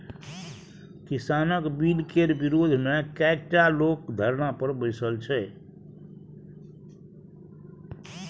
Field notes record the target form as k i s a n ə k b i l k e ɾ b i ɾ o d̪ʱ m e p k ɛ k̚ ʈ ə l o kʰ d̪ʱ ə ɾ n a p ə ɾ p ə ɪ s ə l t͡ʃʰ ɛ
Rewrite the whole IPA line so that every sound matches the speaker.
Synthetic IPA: k i s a n ə k b i l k e ɾ b i ɾ o d̪ʱ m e k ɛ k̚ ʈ a l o k d̪ʱ ə ɾ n a p ə ɾ b ə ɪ s ə l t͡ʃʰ ɛ